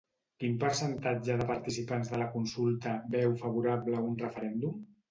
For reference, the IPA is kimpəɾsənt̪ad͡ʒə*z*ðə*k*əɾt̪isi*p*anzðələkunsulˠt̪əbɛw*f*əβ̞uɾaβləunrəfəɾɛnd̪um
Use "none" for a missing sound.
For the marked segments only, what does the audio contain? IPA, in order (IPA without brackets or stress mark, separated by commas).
none, p, p, f